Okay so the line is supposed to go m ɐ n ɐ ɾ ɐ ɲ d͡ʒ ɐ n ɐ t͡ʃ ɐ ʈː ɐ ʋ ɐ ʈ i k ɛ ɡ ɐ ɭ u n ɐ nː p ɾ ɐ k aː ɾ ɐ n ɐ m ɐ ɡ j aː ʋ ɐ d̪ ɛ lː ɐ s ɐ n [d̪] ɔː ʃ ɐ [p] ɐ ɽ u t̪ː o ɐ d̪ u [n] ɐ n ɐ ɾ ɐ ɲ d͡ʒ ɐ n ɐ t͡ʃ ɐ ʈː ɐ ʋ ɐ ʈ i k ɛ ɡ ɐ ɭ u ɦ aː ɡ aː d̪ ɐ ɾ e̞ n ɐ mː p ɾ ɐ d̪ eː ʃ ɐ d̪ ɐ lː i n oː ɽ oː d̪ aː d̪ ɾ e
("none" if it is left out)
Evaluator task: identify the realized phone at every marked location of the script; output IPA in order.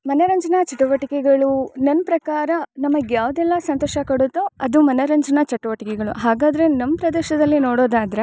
t̪, k, m

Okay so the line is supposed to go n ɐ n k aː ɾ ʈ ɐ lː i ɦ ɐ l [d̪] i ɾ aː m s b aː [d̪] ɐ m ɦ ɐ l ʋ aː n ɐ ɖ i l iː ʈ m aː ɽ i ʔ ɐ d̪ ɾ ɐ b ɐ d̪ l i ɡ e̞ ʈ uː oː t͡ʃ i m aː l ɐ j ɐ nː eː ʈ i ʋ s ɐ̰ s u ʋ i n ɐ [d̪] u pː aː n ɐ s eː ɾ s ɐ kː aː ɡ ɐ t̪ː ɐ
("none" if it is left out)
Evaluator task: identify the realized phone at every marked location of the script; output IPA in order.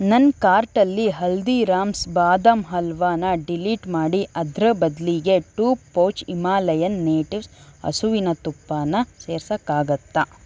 d̪, d̪, t̪

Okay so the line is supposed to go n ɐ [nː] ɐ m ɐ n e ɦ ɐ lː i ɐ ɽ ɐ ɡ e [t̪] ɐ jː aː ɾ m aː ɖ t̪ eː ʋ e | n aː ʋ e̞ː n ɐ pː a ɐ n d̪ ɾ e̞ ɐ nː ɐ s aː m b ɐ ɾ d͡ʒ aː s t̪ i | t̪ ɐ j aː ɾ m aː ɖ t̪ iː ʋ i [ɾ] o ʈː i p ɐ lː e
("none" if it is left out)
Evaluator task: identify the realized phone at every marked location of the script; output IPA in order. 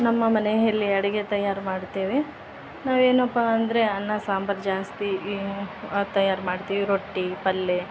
mː, t̪, ɾ

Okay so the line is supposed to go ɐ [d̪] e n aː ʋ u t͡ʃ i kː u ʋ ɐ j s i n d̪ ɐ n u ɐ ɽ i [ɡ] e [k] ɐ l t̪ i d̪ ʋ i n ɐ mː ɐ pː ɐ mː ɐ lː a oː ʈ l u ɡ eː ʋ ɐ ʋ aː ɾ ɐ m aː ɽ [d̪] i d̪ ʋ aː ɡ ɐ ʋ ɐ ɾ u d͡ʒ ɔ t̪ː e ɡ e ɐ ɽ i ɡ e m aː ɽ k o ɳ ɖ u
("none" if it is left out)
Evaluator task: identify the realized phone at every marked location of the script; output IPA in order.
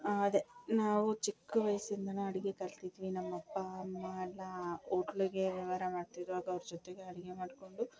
d̪, ɡ, k, t̪

